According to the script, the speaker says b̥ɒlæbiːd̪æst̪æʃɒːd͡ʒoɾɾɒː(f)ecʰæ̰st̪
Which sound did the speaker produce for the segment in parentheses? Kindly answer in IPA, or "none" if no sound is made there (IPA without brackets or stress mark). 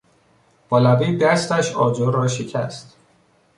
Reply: ʃ